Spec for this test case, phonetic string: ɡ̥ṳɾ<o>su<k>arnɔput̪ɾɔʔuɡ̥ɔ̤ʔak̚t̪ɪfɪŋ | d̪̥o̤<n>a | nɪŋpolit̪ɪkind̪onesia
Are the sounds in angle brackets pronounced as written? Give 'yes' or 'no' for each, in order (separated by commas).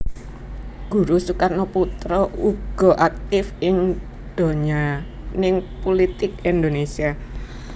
no, yes, no